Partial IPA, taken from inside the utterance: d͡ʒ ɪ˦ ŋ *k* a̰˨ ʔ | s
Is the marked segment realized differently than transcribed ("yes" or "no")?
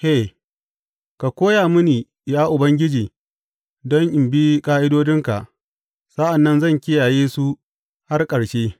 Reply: no